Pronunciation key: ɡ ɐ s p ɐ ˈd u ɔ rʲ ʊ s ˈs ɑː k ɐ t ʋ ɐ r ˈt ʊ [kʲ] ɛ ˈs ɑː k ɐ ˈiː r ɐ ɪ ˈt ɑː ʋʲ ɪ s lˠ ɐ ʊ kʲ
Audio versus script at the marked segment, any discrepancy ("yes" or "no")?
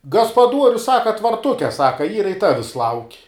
no